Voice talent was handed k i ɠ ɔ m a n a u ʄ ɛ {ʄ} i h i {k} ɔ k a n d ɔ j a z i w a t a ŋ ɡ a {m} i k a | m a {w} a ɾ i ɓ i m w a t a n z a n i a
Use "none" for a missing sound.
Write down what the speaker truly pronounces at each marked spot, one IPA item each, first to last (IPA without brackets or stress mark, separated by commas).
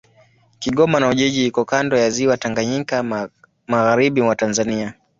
ʄ, k, ɲ, ɣ